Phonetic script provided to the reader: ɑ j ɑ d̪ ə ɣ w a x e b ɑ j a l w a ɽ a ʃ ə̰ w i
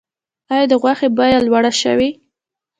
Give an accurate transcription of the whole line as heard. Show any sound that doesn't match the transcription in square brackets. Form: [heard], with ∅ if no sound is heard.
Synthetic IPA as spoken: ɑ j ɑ d̪ ə ɣ w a x e b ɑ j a l w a ɽ a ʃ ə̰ w i